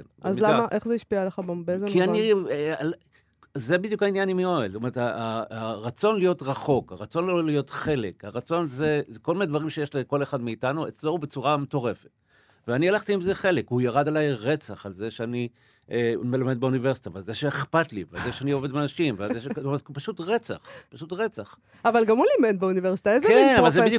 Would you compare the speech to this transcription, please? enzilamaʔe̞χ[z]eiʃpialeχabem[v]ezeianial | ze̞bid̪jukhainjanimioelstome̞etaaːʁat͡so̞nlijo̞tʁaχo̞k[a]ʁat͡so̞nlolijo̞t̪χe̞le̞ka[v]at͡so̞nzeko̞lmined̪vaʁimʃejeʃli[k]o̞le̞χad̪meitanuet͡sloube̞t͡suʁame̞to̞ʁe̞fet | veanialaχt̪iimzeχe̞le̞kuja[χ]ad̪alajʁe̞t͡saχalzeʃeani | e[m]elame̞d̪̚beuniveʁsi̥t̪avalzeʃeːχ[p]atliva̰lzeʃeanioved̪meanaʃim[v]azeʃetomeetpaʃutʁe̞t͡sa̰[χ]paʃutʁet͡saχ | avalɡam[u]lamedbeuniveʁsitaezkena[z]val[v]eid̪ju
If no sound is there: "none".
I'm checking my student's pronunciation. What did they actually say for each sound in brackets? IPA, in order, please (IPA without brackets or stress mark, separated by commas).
z, b, a, ʁ, k, ʁ, m, p, v, χ, u, v, z